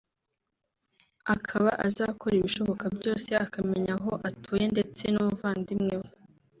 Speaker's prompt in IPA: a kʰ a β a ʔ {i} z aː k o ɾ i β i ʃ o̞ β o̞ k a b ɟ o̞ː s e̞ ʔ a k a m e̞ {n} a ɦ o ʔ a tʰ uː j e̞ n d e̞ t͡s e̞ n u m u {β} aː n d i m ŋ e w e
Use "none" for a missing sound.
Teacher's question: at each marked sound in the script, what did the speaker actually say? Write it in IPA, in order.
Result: a, ɲ, v

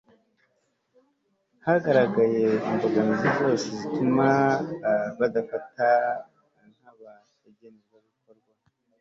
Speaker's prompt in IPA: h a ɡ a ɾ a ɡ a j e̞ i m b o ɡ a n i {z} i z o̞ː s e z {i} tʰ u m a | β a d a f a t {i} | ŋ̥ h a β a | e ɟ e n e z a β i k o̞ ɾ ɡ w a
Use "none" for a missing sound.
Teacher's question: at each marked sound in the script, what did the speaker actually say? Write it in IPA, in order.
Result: z, i, a

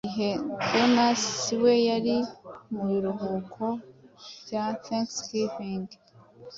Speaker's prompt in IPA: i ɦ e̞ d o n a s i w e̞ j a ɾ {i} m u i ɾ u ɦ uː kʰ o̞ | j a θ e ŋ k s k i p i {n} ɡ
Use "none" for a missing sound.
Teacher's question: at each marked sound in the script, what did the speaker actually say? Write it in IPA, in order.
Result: i, ŋ

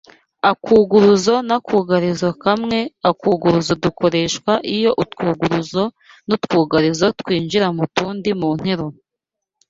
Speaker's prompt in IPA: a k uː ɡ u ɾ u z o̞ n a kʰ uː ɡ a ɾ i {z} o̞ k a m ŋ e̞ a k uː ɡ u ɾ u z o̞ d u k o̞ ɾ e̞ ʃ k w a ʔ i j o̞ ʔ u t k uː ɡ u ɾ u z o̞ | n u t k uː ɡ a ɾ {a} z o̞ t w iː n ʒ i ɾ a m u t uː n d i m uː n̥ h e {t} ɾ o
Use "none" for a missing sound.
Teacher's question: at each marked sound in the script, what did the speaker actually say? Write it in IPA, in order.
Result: z, i, none

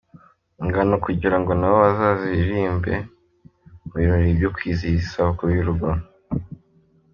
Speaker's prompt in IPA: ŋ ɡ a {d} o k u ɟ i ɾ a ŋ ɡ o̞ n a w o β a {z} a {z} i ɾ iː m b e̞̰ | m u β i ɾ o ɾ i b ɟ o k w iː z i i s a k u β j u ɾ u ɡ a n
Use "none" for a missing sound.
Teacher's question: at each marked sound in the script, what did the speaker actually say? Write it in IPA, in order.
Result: n, z, z

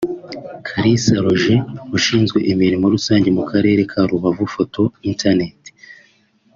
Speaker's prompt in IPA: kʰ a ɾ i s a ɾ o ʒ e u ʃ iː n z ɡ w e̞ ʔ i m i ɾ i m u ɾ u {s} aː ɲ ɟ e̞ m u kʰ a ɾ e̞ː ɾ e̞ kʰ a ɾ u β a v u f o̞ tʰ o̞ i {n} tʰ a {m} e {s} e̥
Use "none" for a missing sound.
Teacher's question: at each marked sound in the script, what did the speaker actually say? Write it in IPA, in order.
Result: s, n, n, t

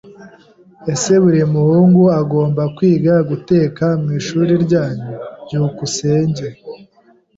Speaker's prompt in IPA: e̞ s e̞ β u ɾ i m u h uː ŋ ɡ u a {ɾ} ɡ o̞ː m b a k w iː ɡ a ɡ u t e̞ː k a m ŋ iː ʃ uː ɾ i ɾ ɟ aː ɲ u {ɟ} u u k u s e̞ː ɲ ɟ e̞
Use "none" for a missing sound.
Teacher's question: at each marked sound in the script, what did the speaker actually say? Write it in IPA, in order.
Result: none, ɟ

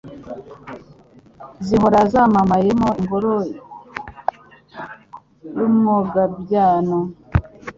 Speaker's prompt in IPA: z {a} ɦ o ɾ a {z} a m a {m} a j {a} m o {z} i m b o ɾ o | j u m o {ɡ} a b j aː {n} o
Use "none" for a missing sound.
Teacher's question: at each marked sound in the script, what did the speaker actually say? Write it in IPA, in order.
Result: i, z, m, e, none, ɡ, n

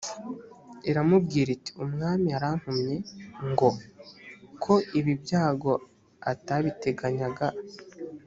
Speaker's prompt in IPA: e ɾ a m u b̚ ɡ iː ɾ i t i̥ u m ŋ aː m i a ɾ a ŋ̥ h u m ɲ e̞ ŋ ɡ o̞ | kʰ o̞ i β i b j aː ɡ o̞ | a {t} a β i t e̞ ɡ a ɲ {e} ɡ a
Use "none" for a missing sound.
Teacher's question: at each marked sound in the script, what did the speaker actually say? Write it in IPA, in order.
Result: t, a

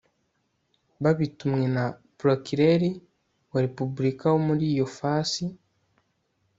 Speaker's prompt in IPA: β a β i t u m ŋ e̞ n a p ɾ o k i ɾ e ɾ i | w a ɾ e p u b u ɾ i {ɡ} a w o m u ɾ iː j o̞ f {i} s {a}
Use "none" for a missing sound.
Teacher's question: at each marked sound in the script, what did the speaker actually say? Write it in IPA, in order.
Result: k, a, i

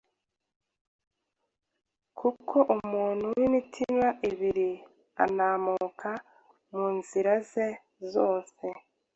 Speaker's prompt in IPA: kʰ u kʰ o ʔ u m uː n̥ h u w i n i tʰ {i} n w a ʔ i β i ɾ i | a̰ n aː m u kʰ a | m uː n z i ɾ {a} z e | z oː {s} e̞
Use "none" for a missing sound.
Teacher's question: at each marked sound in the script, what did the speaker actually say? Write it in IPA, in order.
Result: i, a, s

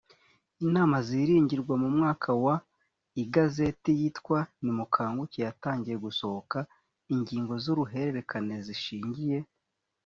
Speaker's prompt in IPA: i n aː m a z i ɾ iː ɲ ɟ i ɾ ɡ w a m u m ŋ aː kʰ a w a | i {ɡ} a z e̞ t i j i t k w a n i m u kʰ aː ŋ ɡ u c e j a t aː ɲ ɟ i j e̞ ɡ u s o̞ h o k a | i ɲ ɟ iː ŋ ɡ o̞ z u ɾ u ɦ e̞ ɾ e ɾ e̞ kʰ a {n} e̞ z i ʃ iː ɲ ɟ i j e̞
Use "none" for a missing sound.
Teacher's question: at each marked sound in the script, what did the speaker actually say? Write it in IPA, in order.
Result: ɡ, n

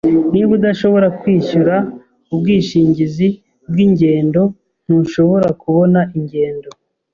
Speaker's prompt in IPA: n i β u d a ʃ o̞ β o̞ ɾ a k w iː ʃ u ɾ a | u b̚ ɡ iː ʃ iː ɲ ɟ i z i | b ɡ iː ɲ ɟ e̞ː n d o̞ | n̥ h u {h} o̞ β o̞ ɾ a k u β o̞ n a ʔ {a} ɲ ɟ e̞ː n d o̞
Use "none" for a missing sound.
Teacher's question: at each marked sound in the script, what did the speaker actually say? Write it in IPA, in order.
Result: ʃ, i

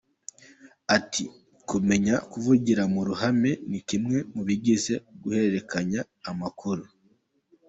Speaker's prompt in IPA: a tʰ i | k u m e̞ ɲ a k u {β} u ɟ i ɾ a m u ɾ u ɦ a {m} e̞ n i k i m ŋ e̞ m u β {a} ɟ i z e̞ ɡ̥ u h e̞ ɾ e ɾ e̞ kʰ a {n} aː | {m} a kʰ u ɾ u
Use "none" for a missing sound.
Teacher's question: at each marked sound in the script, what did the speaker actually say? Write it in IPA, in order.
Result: v, m, i, ɲ, m

